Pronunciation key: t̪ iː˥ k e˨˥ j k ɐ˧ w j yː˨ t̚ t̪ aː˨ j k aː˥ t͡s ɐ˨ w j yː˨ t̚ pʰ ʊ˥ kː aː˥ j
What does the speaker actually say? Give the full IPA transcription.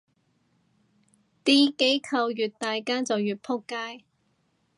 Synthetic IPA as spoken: t̪ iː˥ k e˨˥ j kʰ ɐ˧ w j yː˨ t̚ t̪ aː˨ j k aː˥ t͡s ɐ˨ w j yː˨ t̚ pʰ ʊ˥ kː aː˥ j

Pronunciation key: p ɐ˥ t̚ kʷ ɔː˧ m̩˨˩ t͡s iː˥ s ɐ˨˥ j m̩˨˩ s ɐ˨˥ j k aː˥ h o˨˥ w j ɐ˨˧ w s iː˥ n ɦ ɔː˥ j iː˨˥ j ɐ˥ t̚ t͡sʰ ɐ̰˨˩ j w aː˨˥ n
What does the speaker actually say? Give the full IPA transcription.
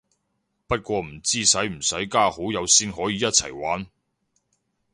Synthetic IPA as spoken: p ɐ˥ t̚ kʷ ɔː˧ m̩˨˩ t͡s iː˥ s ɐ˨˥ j m̩˨˩ s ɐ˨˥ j k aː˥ h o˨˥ w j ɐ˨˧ w s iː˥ n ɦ ɔː˨˥ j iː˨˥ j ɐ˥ t̚ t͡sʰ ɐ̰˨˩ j w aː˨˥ n

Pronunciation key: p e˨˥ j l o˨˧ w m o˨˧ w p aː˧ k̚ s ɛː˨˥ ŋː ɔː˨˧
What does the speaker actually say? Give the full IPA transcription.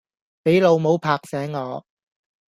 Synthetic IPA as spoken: p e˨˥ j l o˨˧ w m o˨˧ w pʰ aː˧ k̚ s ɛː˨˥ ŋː ɔː˨˧

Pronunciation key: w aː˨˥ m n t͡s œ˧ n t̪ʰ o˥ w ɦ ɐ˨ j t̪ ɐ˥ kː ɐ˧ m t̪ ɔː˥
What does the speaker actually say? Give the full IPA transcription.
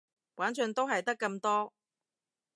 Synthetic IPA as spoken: w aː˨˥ n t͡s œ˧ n t̪ o˥ w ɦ ɐ˨ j t̪ ɐ˥ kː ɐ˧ m t̪ ɔː˥

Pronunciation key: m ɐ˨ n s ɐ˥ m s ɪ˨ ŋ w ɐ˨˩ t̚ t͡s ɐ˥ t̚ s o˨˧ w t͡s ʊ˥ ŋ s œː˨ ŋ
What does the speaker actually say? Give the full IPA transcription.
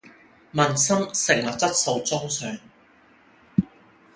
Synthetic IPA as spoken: m ɐ˨ n s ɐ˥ m s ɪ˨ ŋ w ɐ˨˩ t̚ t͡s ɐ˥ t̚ s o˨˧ w t͡s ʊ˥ ŋ s œː˨ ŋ

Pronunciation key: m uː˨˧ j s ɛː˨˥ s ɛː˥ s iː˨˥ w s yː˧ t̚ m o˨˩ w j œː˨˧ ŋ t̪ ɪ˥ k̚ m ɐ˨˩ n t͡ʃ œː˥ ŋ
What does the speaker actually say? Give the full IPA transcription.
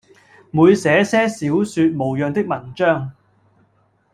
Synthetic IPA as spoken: m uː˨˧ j s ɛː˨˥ s ɛː˥ s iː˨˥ w s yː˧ t̚ m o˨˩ w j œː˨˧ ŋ t̪ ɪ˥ k̚ m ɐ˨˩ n t͡ʃ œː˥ ŋ

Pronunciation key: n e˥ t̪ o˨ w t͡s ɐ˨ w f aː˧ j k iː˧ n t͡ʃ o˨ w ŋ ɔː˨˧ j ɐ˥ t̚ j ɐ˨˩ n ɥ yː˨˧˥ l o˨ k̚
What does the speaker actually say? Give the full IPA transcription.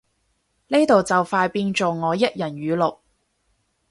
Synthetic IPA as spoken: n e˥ t̪ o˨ w t͡s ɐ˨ w f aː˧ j p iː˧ n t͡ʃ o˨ w ŋ ɔː˨˧ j ɐ˥ t̚ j ɐ˨˩ n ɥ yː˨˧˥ l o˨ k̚

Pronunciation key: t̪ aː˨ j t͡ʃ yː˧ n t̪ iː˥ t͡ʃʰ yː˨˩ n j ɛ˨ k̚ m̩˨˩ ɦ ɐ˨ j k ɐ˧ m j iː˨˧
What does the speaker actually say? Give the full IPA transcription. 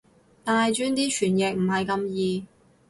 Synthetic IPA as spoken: t̪ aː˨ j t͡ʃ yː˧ n t̪ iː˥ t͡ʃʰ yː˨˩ n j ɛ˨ k̚ m̩˨˩ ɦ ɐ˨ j k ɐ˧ m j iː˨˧

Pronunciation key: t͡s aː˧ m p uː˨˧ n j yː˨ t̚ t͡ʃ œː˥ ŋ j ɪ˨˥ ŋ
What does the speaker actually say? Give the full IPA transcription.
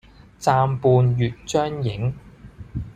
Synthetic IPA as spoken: t͡s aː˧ m p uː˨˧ n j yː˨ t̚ t͡ʃ œː˥ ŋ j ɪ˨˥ ŋ

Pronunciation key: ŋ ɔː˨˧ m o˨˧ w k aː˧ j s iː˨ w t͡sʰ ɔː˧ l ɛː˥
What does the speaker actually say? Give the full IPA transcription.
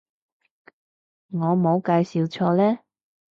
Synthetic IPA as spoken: ŋ ɔː˨˧ m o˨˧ w k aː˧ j s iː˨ w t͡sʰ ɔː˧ l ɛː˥

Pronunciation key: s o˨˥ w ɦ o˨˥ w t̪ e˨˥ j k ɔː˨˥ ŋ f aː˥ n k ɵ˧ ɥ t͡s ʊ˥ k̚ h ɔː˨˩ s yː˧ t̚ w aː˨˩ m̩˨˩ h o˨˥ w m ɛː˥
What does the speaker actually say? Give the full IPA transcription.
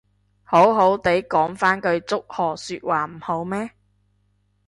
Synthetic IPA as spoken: h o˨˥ w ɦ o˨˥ w t̪ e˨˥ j k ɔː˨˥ ŋ f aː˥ n k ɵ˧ ɥ t͡s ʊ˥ k̚ h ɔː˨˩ s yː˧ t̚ w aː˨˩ m̩˨˩ h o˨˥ w m ɛː˥

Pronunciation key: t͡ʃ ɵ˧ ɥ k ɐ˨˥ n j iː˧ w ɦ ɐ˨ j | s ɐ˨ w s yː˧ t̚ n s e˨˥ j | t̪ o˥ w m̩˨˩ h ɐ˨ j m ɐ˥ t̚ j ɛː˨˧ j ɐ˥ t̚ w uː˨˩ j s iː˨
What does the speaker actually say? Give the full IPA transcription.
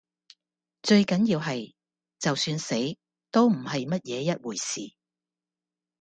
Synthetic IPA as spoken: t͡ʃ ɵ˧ ɥ k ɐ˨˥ n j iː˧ w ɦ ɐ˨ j | t͡s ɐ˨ w s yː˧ n s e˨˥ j | t̪ o˥ w m̩˨˩ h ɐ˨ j m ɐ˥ t̚ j ɛː˨˧ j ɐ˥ t̚ w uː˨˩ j s iː˨

